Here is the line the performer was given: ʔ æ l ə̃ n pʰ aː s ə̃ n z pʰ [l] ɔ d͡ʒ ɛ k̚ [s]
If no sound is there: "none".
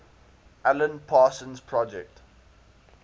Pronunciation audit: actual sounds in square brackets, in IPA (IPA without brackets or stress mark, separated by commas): ɹ, t